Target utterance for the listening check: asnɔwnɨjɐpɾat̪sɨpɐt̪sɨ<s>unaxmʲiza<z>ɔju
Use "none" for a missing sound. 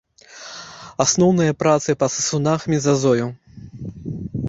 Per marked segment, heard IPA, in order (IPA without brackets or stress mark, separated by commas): s, z